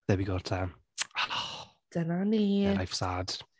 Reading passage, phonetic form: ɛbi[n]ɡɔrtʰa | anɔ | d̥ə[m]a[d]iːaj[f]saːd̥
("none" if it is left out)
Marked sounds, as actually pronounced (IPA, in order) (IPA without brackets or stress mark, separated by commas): none, n, n, f